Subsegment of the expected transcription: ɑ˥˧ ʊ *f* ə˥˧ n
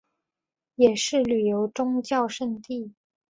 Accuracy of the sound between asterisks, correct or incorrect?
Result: incorrect